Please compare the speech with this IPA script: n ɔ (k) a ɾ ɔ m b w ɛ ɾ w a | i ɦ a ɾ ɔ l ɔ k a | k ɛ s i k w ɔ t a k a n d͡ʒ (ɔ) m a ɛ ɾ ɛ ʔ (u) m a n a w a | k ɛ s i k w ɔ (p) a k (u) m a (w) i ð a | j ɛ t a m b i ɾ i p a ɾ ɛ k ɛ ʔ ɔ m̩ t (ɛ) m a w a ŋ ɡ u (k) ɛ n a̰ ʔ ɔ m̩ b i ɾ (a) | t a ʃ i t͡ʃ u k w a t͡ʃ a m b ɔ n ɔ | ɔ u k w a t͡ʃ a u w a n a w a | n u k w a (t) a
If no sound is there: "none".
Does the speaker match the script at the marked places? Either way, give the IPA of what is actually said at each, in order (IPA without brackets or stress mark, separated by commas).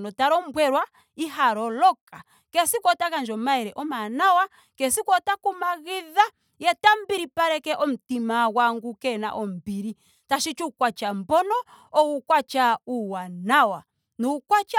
t, ɔ, ɔ, t, u, ɣ, i, k, i, t͡ʃ